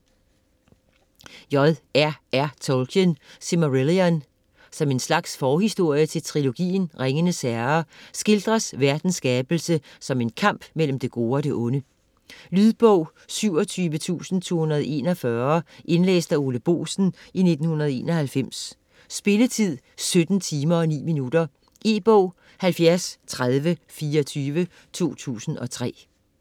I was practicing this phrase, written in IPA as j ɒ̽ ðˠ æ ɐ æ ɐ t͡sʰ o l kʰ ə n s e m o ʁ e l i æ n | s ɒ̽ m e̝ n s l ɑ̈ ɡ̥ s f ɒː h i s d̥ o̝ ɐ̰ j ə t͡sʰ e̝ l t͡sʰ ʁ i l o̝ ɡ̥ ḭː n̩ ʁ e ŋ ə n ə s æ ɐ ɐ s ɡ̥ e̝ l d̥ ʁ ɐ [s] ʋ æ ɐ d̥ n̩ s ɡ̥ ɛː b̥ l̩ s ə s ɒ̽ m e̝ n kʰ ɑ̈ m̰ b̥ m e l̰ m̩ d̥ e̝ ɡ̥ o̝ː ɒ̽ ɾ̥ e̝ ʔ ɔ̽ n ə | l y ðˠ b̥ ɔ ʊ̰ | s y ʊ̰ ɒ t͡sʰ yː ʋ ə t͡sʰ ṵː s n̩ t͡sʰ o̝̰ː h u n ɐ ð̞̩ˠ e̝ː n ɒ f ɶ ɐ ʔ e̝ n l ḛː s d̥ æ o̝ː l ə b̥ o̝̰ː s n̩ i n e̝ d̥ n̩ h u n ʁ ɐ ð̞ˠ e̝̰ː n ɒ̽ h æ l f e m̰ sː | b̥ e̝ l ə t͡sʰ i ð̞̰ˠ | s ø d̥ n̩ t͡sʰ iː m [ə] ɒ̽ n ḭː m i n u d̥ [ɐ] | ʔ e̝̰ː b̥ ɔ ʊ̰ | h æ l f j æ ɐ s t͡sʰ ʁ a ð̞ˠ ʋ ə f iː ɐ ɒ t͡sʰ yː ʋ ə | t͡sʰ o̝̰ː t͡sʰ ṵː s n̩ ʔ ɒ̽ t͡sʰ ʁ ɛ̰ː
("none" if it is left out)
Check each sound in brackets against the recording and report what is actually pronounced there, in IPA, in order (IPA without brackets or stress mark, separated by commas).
s, ɐ, ɐ